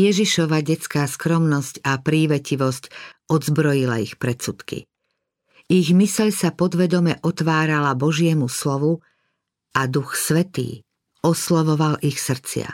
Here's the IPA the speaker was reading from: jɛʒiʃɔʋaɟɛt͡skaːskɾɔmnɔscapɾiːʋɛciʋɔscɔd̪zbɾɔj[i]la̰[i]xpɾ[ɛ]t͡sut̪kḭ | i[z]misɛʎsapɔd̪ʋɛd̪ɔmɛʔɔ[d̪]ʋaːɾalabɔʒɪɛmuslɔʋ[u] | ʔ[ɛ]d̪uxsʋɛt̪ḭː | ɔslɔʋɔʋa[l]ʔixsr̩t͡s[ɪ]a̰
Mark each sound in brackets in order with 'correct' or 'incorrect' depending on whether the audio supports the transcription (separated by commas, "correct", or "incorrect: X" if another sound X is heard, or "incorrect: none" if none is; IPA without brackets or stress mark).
correct, correct, correct, incorrect: ɣ, incorrect: t̪, correct, incorrect: a, correct, correct